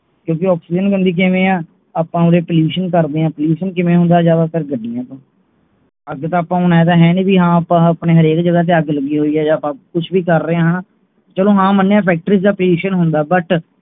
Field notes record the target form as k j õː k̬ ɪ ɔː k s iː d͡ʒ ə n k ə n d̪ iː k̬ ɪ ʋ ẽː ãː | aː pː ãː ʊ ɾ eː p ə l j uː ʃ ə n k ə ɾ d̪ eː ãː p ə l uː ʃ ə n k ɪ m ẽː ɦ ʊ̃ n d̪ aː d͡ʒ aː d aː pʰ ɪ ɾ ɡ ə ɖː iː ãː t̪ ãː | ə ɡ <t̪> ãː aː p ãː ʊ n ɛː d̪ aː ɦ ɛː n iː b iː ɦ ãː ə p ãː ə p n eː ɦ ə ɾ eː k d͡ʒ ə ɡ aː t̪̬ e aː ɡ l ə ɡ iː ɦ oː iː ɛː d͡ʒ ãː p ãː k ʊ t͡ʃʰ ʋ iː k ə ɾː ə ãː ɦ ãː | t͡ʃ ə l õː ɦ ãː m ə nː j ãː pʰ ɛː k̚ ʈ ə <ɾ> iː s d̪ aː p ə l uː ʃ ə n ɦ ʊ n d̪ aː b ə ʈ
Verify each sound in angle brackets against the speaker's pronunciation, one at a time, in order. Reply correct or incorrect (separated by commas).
correct, correct